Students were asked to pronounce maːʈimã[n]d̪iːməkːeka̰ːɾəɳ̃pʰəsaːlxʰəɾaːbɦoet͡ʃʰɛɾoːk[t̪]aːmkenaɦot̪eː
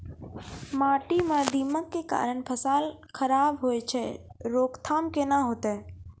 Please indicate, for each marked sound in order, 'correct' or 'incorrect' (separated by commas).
incorrect, incorrect